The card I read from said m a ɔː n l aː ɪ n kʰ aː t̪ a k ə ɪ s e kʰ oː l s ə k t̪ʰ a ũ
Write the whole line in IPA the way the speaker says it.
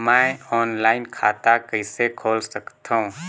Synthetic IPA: m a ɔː n l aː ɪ n kʰ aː t̪ a k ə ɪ s e kʰ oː l s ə k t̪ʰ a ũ